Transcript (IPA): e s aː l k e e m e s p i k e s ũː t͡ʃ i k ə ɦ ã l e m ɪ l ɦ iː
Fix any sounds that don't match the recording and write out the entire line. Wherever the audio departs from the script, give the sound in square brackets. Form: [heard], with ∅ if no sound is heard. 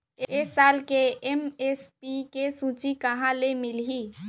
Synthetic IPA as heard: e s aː l k e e m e s p i k e s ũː t͡ʃ i k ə ɦ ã l e m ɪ l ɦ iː